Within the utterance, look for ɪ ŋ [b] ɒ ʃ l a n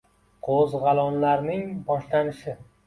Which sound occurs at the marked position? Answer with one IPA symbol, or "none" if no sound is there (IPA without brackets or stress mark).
b